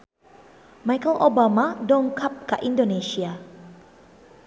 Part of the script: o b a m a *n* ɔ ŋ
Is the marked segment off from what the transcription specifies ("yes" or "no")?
yes